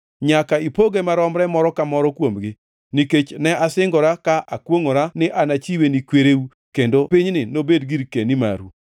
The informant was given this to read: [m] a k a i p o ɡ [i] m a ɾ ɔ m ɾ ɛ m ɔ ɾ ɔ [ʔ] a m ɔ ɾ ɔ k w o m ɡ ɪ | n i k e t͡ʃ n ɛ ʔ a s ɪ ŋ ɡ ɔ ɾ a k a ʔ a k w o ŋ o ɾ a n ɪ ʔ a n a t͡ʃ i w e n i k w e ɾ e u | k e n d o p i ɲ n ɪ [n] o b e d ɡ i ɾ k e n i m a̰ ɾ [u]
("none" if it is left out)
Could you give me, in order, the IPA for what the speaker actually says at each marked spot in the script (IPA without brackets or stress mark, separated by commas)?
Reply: ɲ, e, k, n, u